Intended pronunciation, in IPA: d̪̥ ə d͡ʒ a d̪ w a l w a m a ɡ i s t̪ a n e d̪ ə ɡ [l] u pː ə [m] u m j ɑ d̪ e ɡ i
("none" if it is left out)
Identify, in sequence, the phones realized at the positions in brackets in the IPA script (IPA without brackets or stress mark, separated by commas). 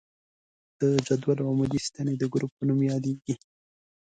ɾ, n